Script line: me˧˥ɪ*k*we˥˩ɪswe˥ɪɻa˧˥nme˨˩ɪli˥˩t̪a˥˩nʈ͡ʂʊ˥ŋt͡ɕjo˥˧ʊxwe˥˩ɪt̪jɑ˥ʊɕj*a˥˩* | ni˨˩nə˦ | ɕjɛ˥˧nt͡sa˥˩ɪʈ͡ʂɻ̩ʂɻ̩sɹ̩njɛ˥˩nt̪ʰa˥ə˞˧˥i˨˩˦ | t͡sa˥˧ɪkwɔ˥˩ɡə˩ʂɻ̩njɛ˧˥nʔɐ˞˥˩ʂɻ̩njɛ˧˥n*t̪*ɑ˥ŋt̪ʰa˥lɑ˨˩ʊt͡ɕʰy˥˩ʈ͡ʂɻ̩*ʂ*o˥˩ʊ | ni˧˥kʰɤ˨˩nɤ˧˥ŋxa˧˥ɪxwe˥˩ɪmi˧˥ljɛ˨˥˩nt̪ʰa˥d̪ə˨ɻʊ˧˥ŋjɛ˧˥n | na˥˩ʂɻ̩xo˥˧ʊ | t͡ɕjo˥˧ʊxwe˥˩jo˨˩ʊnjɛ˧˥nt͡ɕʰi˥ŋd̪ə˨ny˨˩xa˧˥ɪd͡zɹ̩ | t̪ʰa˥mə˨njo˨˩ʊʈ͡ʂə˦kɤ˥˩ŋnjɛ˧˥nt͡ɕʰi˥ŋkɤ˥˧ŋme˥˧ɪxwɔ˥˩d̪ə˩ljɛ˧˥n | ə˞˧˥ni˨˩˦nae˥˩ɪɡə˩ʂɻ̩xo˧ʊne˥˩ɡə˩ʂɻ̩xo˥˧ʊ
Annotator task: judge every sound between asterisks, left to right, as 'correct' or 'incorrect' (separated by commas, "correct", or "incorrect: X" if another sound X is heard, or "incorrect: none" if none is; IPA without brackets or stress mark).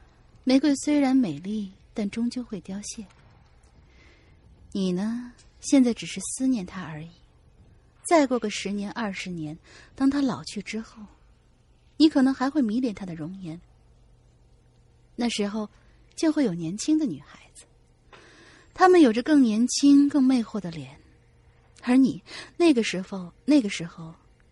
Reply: correct, incorrect: ɛ˥˩, correct, incorrect: x